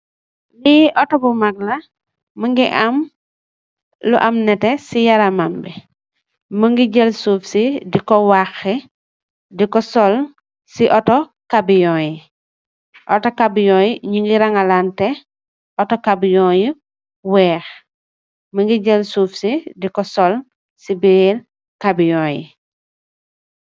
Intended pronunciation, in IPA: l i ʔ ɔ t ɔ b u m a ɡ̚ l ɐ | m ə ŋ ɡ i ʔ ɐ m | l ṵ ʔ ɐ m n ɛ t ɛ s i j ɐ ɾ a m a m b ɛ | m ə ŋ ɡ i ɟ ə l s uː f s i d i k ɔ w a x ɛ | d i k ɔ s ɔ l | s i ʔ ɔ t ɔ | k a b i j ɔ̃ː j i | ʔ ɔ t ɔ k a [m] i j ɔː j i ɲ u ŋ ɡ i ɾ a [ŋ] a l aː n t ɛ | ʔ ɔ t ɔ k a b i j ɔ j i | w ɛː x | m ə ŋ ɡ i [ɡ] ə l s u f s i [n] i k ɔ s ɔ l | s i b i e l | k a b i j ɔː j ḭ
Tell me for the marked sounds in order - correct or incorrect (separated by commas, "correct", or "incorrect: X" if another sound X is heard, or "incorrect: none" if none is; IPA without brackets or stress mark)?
incorrect: b, correct, incorrect: ɟ, incorrect: d